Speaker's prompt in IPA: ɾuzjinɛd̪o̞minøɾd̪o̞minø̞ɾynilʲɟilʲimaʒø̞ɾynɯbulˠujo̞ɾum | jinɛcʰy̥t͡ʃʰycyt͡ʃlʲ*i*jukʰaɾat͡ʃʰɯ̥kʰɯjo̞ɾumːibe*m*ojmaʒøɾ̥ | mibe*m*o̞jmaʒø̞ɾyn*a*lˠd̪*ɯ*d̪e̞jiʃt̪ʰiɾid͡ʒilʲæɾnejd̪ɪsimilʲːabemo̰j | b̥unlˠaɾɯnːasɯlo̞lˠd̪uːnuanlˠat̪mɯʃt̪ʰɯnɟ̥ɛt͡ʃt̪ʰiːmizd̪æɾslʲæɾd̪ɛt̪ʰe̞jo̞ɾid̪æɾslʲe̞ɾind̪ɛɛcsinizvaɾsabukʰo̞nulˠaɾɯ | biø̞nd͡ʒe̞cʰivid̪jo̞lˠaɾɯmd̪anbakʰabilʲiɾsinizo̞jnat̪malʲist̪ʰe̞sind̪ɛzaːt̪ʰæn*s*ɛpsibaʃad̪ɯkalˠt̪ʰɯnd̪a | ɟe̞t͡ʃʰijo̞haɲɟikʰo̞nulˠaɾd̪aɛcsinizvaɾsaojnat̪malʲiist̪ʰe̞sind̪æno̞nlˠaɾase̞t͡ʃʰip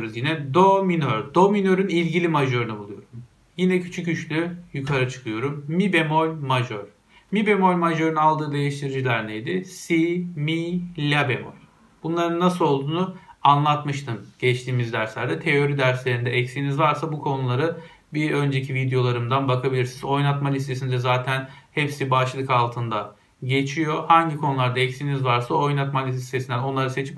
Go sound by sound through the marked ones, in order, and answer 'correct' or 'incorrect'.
incorrect: y, correct, correct, correct, incorrect: ɯː, incorrect: h

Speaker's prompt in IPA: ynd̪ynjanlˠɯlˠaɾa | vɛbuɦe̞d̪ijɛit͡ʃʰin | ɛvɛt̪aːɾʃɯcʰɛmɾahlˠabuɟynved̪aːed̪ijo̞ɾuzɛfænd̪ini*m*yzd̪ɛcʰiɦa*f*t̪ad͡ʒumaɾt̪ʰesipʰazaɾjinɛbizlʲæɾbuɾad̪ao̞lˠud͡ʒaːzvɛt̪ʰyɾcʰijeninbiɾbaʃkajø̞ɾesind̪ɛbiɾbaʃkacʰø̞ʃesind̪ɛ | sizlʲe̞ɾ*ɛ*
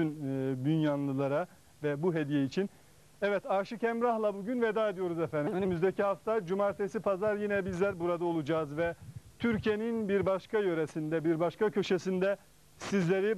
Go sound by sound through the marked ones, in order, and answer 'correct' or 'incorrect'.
correct, correct, incorrect: i

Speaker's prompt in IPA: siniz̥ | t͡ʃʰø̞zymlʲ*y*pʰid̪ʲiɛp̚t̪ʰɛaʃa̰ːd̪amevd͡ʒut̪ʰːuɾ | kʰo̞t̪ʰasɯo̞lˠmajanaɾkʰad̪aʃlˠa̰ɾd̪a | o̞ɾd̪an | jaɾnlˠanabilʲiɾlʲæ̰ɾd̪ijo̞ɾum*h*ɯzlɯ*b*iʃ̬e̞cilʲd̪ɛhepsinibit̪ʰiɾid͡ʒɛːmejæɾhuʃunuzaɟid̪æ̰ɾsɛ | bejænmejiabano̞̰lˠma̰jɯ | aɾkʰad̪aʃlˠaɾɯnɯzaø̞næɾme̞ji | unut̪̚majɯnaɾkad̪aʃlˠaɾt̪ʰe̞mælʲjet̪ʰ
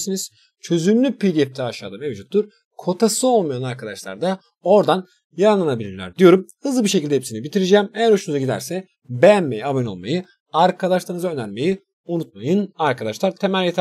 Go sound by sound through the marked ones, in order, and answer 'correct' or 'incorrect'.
correct, correct, correct

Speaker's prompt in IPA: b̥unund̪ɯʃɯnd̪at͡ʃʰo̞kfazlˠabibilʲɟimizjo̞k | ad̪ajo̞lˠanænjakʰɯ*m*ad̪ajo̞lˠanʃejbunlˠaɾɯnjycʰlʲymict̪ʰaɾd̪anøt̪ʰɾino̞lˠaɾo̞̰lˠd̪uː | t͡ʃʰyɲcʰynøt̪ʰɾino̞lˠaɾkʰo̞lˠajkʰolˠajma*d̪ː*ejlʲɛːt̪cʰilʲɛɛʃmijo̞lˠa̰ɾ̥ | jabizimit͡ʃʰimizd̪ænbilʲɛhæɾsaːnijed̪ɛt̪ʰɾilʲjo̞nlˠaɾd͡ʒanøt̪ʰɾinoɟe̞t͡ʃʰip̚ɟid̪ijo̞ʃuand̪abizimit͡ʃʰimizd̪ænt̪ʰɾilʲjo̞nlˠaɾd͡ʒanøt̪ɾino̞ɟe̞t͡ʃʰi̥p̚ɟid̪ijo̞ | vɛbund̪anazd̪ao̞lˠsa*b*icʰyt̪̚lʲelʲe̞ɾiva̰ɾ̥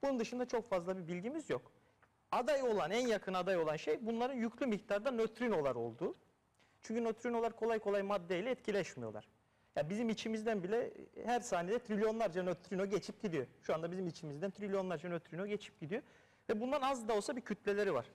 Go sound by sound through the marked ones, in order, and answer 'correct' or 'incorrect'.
incorrect: n, correct, correct

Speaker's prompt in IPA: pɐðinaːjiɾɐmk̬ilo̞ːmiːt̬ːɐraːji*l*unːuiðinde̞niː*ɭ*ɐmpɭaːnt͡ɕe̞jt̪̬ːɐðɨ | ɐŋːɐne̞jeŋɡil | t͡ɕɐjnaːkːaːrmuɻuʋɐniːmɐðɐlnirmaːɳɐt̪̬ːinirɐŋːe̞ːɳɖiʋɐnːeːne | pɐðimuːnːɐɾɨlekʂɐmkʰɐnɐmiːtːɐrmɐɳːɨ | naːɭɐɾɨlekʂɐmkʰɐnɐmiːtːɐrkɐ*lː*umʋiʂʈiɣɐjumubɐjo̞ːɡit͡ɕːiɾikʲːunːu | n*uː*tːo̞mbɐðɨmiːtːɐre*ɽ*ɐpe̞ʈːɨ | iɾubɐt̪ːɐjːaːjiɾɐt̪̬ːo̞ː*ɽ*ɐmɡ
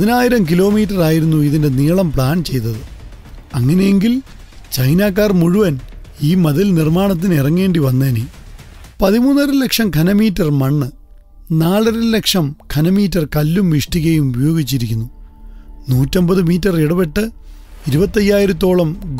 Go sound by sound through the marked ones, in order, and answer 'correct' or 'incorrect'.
incorrect: ɾ, correct, correct, correct, correct, incorrect: ɭ

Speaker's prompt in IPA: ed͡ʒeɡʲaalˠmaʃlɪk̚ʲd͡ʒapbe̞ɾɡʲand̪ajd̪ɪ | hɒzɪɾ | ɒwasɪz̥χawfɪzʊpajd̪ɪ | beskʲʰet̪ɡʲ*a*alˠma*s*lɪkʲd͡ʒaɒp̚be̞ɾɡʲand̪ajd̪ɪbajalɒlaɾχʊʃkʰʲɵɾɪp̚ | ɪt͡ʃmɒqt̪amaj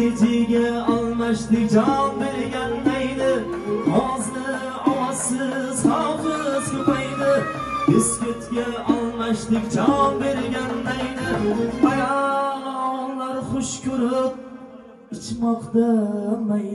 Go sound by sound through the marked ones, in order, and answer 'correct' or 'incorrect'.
correct, incorrect: ʃ

